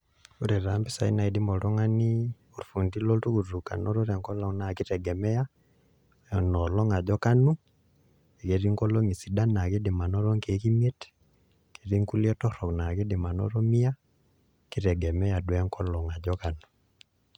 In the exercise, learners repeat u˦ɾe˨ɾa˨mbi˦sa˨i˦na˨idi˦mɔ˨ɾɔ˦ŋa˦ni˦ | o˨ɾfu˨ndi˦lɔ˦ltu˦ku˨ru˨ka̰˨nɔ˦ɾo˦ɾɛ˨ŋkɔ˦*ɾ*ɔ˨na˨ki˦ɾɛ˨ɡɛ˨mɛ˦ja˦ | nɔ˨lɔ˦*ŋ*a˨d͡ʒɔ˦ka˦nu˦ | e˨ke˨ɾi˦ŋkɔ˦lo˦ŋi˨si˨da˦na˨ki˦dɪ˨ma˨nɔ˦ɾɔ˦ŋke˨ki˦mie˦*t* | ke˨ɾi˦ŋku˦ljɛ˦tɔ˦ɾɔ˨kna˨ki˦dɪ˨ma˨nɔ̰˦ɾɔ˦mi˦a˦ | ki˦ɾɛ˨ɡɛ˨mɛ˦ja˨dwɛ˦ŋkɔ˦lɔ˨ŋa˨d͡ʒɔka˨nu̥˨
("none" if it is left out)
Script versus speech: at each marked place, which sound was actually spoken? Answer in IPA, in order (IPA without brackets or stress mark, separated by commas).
l, ŋ, t